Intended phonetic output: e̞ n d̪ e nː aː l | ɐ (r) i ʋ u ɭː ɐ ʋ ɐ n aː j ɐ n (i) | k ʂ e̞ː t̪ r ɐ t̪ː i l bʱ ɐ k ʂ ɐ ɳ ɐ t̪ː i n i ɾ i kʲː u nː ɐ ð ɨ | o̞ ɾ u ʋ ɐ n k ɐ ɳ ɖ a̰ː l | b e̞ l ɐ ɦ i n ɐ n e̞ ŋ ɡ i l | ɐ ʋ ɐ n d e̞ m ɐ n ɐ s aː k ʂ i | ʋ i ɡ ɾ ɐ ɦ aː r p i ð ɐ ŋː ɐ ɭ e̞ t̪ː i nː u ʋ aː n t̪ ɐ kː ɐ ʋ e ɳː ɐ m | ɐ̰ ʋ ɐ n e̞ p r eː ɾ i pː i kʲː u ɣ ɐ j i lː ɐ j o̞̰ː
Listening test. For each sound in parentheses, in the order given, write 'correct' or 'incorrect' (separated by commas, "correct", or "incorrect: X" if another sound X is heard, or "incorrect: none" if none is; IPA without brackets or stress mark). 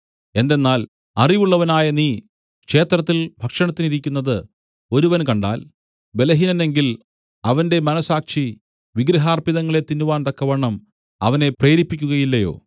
correct, incorrect: iː